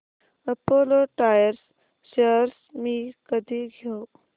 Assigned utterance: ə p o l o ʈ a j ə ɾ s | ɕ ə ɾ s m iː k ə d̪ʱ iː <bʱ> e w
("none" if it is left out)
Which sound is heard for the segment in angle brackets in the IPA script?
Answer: ɡʱ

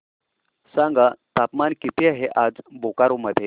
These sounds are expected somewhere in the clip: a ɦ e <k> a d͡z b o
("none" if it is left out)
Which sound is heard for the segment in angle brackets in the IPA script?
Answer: ʔ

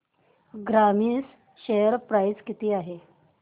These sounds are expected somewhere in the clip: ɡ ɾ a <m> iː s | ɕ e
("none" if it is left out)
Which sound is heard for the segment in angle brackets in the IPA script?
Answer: m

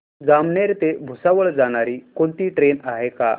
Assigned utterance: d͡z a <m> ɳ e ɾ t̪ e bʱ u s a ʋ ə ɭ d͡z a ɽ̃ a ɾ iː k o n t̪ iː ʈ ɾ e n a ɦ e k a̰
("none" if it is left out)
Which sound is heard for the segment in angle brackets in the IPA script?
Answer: m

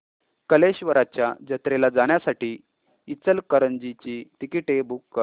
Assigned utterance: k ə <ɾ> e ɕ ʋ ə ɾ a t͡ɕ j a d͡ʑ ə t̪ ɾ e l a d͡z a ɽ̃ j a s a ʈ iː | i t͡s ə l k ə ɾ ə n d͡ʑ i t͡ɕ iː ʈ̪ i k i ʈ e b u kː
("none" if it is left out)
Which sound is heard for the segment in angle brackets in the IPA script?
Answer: l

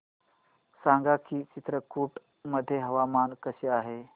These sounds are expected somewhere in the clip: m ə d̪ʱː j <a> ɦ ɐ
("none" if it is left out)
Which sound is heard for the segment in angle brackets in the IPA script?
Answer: e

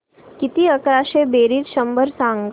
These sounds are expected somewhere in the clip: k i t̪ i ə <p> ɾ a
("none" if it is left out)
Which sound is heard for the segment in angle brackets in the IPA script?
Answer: k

